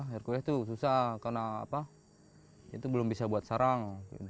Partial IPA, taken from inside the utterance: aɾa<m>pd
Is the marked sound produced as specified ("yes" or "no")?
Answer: no